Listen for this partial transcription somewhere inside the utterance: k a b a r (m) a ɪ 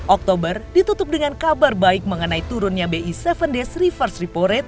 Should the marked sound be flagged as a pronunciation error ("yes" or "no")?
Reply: yes